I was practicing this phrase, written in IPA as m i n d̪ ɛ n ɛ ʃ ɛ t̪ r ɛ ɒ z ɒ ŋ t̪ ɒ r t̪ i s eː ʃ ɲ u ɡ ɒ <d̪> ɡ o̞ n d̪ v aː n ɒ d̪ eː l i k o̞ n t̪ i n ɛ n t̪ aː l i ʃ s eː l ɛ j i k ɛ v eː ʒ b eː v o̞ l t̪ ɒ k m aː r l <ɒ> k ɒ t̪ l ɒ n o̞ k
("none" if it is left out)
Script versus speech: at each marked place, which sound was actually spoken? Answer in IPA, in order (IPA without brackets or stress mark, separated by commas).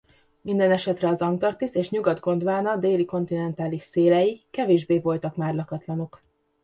d̪, ɒ